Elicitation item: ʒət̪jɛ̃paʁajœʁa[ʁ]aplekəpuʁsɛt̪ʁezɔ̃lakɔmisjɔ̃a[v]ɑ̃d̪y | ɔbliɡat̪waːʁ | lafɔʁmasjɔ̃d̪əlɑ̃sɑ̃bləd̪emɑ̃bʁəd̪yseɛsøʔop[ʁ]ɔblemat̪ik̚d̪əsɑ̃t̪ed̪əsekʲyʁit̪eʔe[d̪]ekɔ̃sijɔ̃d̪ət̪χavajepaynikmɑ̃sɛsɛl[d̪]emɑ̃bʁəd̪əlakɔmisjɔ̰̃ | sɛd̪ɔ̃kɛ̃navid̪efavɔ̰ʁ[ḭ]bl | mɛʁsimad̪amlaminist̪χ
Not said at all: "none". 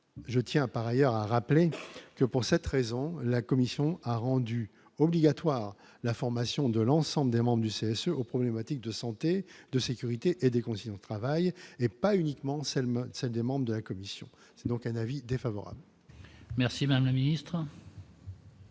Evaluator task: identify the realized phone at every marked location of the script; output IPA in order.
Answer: ʁ, ʁ, χ, d̪, d̪, a̰

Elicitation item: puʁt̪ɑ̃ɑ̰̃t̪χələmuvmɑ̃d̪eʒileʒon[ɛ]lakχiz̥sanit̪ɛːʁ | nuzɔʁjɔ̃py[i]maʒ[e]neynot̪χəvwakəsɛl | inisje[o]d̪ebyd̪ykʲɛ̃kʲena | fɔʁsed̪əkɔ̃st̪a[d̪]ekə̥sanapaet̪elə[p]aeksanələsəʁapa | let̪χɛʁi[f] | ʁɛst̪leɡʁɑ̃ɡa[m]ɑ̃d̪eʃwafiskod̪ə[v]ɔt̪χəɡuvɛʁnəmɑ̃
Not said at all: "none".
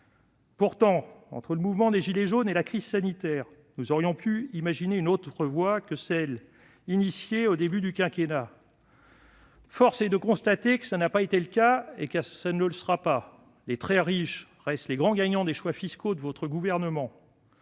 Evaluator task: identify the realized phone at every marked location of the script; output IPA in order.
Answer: e, i, i, o, t̪, k, ʃ, ɲ, v

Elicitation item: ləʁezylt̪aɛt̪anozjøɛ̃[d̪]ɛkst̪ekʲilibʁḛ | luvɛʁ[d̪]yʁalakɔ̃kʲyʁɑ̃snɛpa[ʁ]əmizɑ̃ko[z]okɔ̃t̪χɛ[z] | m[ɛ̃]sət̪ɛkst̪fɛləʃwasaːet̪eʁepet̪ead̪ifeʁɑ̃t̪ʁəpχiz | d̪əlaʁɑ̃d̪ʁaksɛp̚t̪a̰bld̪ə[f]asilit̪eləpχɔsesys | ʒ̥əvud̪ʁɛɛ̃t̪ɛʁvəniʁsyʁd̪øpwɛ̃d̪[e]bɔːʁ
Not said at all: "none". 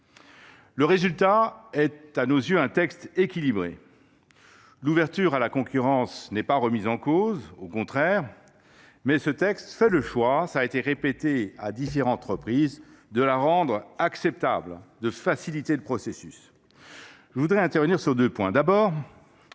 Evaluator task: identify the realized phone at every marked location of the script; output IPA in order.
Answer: t̪, t̪, ʁ, z, ʁ, ɛ, f, a

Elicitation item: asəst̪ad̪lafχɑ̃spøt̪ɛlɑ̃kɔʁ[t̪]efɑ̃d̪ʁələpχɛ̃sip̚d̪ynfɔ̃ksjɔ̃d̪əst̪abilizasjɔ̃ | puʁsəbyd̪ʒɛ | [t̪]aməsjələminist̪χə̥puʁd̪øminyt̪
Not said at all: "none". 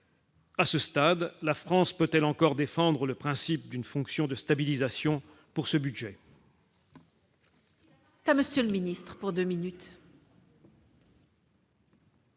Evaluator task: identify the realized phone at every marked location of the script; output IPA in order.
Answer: d̪, t̪

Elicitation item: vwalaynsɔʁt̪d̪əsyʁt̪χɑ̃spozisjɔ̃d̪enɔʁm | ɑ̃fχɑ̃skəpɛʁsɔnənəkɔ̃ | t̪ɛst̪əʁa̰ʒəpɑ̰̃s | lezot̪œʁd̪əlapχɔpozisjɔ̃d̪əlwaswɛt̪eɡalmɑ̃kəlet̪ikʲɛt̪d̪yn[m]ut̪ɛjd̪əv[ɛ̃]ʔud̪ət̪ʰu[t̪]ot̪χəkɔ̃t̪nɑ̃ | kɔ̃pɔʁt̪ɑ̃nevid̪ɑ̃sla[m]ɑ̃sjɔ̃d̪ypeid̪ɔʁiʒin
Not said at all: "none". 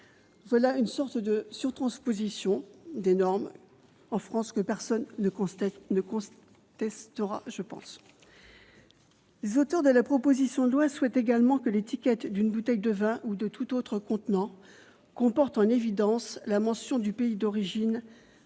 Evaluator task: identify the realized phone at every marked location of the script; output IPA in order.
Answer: b, ɛ̃, t̪, m

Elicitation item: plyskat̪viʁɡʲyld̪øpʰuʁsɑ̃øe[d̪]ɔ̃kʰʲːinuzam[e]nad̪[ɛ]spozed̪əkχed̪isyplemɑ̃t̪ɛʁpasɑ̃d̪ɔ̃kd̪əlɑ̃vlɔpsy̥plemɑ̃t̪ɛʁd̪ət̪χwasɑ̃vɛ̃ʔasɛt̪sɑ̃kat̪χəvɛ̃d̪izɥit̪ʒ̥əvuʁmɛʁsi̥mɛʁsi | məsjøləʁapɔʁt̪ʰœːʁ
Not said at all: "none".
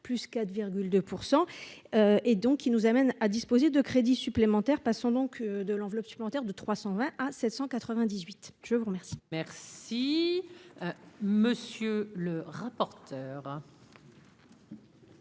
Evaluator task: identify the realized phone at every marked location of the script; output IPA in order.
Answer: d̪, ɛ, i

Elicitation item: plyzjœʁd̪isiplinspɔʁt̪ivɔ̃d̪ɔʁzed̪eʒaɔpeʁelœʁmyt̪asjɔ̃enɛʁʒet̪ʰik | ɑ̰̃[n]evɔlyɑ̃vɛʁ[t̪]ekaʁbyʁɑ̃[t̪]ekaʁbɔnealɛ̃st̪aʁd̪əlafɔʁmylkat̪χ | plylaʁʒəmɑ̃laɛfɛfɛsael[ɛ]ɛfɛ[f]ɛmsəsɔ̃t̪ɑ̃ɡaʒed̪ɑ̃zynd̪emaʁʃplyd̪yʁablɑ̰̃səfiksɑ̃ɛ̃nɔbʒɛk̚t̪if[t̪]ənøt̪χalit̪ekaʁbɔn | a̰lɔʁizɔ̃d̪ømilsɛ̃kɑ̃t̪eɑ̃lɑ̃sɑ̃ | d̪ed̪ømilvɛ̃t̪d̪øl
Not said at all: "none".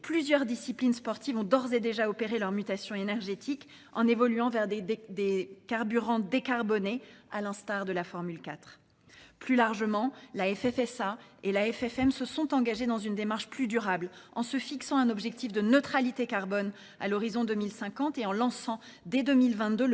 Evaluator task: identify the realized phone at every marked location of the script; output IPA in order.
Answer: n, d̪, d̪, a, f, d̪

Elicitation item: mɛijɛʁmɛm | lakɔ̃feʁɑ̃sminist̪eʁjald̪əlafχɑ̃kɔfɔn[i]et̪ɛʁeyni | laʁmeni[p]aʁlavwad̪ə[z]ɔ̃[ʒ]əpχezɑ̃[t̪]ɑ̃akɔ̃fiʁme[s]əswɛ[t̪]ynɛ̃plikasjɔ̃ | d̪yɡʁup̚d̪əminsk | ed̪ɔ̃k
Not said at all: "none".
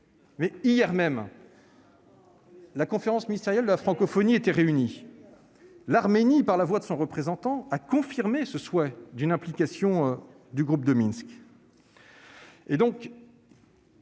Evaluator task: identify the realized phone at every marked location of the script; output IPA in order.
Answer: i, p, s, ʁ, t̪, s, d̪

